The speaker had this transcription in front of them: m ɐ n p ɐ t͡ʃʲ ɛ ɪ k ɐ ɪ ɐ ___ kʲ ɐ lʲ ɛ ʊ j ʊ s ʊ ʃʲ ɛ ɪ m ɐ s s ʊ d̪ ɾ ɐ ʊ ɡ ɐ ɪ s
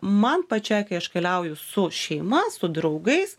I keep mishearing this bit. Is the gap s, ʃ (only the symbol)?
ʃ